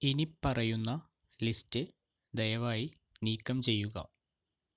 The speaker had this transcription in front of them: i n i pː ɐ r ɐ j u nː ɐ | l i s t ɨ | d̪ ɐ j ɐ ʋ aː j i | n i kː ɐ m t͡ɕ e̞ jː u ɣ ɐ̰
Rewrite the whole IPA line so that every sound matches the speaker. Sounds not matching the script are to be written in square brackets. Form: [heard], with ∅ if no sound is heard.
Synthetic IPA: i n i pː ɐ r ɐ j u nː ɐ | l i s t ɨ | d̪ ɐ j ɐ ʋ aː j i | n [iː] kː ɐ m t͡ɕ e̞ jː u ɣ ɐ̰